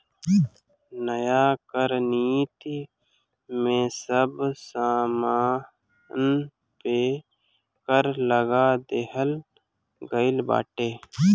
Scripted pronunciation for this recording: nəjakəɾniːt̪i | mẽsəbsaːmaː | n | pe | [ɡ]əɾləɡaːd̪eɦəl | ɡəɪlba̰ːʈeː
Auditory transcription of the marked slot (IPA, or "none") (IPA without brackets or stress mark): k